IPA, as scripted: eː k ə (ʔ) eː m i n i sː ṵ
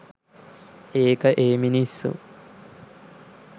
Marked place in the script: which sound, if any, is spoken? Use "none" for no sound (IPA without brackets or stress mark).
ʔ